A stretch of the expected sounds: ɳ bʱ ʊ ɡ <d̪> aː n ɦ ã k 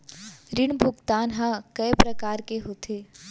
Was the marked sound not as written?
yes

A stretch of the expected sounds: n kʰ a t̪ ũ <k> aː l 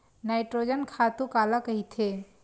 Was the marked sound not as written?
no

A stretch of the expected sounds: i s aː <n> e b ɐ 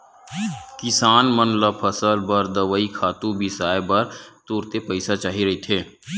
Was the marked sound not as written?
yes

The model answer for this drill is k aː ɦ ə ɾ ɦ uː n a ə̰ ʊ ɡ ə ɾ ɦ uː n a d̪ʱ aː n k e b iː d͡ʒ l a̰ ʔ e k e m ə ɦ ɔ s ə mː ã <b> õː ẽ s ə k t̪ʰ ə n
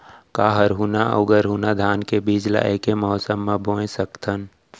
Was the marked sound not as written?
no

